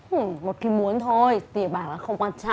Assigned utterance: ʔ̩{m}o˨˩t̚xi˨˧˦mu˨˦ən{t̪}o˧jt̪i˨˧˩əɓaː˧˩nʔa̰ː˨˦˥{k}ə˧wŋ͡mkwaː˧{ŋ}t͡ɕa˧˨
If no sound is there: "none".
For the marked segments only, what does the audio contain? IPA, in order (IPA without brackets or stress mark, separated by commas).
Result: m, t̪ʰ, x, n